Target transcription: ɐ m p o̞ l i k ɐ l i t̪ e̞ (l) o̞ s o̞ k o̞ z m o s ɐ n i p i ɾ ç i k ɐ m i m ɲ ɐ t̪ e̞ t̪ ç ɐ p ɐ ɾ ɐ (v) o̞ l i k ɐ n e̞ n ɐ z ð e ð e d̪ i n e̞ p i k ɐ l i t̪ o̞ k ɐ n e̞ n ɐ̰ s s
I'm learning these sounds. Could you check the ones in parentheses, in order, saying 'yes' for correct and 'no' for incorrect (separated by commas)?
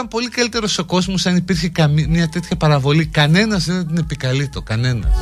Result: no, yes